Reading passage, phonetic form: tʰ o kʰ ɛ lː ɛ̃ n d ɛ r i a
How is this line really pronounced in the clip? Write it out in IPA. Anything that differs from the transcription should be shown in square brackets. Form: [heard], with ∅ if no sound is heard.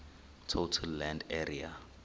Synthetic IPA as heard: tʰ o [tʰ] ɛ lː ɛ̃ n d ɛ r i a